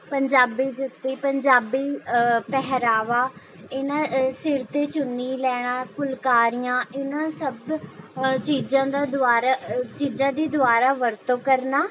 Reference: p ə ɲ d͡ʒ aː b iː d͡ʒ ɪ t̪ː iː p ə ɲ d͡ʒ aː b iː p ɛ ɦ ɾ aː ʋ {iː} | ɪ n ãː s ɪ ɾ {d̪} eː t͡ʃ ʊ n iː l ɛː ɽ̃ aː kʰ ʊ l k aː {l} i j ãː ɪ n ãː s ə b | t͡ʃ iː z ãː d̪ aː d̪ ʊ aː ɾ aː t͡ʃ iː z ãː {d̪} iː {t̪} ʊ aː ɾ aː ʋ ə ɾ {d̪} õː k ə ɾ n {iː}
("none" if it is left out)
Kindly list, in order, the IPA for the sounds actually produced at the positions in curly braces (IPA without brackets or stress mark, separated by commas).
aː, t̪, ɾ, d̪, d̪, t̪, aː